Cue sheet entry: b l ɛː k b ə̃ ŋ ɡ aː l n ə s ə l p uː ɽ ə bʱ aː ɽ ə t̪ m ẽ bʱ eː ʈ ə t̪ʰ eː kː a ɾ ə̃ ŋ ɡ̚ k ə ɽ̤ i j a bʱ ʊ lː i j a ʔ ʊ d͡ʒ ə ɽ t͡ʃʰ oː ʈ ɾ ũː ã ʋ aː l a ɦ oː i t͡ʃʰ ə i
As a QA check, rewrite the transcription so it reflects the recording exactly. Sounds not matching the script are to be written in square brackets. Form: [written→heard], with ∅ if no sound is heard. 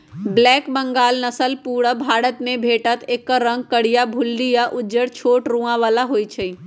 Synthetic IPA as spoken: b l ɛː k b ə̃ ŋ ɡ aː l n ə s ə l p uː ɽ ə bʱ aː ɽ ə t̪ m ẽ bʱ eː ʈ ə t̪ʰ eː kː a ɾ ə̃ ŋ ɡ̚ k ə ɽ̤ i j a bʱ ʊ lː i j a ʔ ʊ d͡ʒ ə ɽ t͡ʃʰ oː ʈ ɾ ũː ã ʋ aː l a ɦ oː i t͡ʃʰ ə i